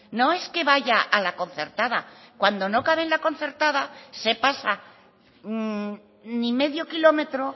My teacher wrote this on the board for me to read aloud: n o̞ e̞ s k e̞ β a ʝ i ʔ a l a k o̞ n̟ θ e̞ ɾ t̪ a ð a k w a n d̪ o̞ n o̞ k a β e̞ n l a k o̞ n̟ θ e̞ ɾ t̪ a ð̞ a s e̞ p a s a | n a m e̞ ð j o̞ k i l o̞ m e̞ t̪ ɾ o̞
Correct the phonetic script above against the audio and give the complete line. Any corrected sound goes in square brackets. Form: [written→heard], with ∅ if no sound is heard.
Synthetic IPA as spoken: n o̞ e̞ s k e̞ β a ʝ [i→a] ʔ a l a k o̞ n̟ θ e̞ ɾ t̪ a ð a k w a n d̪ o̞ n o̞ k a β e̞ n l a k o̞ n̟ θ e̞ ɾ t̪ a ð̞ a s e̞ p a s a | n [a→i] m e̞ ð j o̞ k i l o̞ m e̞ t̪ ɾ o̞